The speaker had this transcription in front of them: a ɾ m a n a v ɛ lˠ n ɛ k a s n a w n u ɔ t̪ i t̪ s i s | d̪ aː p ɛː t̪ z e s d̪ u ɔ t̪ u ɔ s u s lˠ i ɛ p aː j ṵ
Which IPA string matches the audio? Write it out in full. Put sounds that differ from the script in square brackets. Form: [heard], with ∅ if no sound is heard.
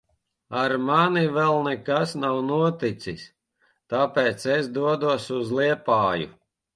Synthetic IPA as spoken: a ɾ m a n [i] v ɛ lˠ n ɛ k a s n a w n u ɔ t̪ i t̪ s i s | [t̪] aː p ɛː t̪ [s] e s d̪ u ɔ [d̪] u ɔ s u [z] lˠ i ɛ p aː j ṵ

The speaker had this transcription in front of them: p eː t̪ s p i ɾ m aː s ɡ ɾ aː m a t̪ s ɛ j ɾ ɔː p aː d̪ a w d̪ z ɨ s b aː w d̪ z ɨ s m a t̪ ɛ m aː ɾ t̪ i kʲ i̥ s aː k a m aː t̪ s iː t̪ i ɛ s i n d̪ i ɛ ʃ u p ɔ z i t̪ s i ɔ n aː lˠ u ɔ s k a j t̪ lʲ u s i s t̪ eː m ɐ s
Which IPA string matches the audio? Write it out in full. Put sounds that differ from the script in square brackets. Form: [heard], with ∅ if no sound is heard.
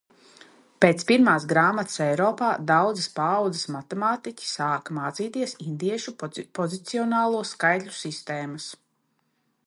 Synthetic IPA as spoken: p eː t̪ s p i ɾ m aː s ɡ ɾ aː m a t̪ s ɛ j ɾ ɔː p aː d̪ a w d̪ z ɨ s [p] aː w d̪ z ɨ s m a t̪ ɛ m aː [∅] t̪ i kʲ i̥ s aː k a m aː t̪ s iː t̪ i ɛ s i n d̪ i ɛ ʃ u p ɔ z i t̪ s i ɔ n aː lˠ u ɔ s k a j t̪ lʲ u s i s t̪ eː m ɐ s

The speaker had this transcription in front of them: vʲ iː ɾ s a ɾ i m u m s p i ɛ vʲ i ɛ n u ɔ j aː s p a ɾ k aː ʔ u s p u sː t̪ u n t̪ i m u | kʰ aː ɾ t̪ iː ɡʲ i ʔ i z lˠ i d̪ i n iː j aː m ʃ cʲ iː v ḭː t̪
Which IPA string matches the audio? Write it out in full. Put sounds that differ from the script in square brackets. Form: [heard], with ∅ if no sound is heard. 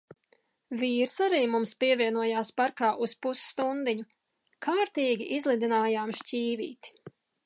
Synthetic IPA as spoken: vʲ iː ɾ s a ɾ [iː] m u m s p i ɛ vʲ i ɛ n u ɔ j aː s p a ɾ k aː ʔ u s p u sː t̪ u n [d̪] i [ɲ] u | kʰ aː ɾ t̪ iː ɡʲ i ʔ i z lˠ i d̪ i n [aː] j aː m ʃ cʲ iː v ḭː t̪

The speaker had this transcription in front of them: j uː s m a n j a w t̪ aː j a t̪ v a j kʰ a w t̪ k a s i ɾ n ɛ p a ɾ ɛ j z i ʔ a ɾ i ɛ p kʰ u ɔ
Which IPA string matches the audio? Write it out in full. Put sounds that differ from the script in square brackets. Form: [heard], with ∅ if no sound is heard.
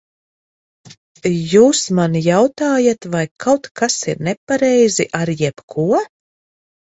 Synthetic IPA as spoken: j uː s m a n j a w t̪ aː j a t̪ v a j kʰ a w t̪ k a s i ɾ n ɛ p a ɾ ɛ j z i ʔ a ɾ [j] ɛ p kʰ u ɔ

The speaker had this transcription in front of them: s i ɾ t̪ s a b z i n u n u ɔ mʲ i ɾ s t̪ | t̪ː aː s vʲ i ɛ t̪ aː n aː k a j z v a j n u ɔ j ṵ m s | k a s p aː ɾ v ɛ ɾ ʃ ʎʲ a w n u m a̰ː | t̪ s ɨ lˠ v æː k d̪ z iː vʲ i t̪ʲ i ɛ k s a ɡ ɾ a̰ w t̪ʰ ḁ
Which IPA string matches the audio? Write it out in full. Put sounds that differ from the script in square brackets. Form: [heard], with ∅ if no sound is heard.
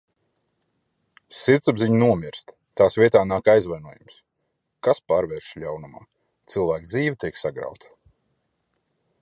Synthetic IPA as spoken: s i ɾ t̪ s a b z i [ɲ] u n u ɔ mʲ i ɾ s t̪ | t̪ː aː s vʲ i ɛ t̪ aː n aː k a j z v a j n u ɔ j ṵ m s | k a s p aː ɾ v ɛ ɾ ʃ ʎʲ a w n u m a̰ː | t̪ s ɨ lˠ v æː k d̪ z iː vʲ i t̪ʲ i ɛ k s a ɡ ɾ a̰ w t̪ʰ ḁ

